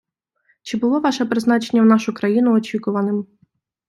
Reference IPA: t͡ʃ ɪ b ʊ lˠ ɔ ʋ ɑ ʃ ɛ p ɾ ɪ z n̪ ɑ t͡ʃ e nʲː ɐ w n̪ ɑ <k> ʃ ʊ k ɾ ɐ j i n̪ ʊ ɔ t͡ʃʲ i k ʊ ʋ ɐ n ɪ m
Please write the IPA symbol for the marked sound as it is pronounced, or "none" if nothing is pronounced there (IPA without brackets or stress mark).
none